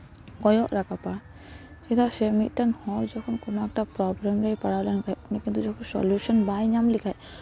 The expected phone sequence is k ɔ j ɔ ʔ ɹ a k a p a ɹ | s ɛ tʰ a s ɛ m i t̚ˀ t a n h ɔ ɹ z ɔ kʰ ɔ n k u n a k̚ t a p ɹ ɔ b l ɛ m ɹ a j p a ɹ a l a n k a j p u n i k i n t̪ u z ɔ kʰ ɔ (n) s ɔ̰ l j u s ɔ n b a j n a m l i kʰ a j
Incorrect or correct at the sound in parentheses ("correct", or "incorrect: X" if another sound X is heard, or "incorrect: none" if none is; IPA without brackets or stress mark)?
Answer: correct